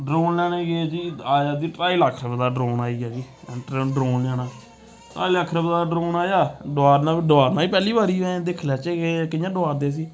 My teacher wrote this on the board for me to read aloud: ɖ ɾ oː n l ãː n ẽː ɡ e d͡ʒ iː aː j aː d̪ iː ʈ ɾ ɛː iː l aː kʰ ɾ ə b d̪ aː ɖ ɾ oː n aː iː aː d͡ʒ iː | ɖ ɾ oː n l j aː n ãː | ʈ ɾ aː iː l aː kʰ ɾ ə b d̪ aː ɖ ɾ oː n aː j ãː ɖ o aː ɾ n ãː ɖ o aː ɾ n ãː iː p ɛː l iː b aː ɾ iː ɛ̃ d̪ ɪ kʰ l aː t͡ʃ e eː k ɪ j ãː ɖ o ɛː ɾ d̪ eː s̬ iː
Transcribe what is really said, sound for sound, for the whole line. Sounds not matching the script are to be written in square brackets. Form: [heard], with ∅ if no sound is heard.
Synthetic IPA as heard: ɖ ɾ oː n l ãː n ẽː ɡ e d͡ʒ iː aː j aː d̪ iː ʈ ɾ [aː] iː l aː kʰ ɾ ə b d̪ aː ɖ ɾ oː n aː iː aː d͡ʒ iː | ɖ ɾ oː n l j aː n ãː | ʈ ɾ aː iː l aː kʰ ɾ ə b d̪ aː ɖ ɾ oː n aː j [aː] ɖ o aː ɾ n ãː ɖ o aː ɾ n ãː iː p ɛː l iː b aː ɾ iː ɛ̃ d̪ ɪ kʰ l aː t͡ʃ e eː k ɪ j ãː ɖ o [aː] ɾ d̪ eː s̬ iː